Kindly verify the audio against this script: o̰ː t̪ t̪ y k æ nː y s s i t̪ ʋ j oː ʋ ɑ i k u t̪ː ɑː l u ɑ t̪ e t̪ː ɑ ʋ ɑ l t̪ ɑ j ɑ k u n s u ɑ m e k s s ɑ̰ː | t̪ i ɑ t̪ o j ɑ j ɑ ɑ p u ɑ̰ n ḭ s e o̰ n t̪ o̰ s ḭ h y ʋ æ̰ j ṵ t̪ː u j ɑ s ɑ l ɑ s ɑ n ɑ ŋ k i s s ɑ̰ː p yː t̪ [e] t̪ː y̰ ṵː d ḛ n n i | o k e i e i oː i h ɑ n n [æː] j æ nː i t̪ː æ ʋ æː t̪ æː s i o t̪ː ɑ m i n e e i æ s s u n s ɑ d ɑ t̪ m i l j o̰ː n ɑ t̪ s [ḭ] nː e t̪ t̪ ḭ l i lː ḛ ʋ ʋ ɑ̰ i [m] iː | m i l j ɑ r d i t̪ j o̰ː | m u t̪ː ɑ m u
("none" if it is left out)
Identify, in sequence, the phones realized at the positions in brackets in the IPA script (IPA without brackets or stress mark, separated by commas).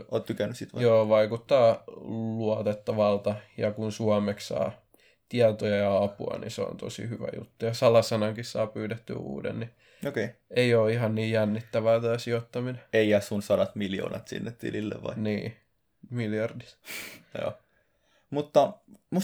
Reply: e, iː, ḭ, n